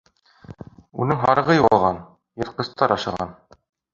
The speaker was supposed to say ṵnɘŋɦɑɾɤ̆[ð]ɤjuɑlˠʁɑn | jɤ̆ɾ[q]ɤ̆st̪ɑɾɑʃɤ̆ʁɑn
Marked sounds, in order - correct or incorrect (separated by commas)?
incorrect, correct